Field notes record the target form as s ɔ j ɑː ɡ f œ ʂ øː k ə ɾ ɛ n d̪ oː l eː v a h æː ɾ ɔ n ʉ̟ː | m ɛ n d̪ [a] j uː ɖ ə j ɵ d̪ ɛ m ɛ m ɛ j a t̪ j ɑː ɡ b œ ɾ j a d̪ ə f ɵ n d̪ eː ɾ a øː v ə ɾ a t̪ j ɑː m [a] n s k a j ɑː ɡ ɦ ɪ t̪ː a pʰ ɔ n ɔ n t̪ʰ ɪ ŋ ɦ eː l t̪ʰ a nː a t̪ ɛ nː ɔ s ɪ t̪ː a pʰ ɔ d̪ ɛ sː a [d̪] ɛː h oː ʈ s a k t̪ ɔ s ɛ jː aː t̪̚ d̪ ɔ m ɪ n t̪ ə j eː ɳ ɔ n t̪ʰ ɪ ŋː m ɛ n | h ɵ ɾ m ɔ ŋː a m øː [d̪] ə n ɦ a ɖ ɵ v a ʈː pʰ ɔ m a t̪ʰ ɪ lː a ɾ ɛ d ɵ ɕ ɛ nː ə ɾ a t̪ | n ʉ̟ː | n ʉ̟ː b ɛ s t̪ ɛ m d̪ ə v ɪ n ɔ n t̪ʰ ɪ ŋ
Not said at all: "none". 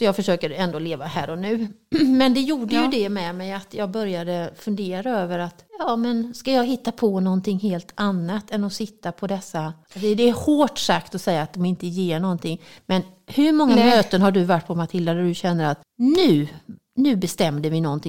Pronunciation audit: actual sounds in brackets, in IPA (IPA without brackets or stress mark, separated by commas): ɛ, ɛ, d̪, t̪